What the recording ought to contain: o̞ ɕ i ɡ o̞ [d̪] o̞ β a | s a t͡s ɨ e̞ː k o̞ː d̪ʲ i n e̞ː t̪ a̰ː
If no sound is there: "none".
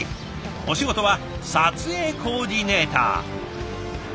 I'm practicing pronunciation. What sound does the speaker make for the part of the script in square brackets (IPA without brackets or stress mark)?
t̪